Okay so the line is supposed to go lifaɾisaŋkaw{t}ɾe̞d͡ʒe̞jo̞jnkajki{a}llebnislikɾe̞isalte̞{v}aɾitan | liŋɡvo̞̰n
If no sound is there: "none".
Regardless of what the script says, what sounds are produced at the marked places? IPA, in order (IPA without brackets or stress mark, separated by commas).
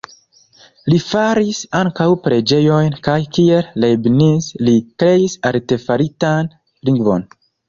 p, e, f